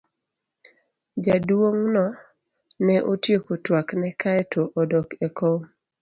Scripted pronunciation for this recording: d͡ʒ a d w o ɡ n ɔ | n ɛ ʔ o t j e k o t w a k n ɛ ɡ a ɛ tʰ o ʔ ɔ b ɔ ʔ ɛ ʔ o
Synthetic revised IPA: d͡ʒ a d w o ŋ n ɔ | n ɛ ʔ o t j e k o t w a k n ɛ k a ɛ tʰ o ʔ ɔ d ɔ k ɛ k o